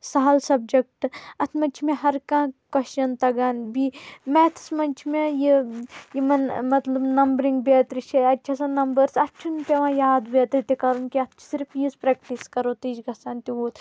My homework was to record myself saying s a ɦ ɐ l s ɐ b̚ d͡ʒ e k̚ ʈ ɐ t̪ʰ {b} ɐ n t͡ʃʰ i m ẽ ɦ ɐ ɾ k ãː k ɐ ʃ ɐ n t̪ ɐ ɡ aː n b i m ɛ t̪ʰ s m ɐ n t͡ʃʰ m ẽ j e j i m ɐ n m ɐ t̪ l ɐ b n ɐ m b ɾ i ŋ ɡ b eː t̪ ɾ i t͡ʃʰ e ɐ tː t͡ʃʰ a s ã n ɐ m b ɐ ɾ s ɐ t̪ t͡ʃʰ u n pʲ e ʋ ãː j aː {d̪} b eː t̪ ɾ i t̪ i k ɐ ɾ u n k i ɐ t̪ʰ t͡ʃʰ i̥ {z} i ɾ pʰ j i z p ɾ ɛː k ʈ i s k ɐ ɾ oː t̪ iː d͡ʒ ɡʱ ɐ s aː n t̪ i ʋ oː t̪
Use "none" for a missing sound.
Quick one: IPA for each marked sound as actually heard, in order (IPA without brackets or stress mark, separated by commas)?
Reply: m, d̪, s